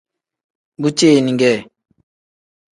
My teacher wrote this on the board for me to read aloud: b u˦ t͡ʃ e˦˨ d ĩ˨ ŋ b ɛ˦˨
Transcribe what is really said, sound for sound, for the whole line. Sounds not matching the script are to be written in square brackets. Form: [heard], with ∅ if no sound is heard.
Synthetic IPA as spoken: b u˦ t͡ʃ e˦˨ [n] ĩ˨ ŋ [ɡ] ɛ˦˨